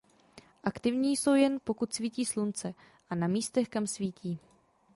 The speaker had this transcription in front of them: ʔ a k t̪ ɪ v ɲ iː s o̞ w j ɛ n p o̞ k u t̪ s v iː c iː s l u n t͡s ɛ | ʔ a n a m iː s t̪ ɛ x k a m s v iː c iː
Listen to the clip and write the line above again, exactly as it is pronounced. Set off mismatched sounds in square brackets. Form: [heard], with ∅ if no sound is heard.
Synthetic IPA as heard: ʔ a k t̪ ɪ v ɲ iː s o̞ w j ɛ n p o̞ k u t̪ s v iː c iː s l u n t͡s ɛ | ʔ a n a m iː s t̪ ɛ x k a m s v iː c iː